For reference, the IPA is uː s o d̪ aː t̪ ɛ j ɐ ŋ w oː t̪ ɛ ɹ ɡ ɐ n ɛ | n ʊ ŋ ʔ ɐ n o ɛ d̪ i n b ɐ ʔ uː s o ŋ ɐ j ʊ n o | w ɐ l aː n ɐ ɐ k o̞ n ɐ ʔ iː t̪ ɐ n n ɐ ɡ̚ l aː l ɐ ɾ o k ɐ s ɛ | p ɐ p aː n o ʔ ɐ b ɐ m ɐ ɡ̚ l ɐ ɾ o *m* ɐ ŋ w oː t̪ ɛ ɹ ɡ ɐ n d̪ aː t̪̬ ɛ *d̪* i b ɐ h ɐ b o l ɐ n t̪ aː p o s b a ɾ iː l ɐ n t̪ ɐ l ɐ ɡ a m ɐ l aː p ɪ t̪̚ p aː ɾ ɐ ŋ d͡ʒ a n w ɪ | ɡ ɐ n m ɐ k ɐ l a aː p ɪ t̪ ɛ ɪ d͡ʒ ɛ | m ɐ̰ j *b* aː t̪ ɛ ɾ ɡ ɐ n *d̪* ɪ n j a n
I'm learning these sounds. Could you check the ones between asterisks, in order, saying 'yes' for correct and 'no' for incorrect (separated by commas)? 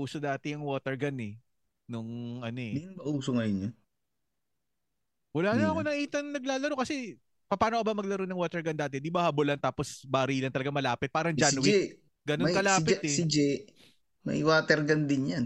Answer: no, yes, no, yes